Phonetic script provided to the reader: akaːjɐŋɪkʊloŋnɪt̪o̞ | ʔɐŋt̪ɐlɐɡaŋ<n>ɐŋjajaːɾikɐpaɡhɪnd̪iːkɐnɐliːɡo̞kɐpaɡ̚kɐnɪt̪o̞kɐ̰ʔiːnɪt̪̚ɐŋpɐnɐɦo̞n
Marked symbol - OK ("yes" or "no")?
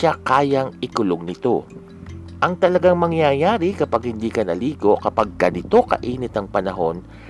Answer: no